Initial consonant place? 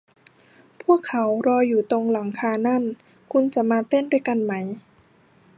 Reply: labial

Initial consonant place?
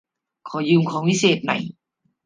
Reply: velar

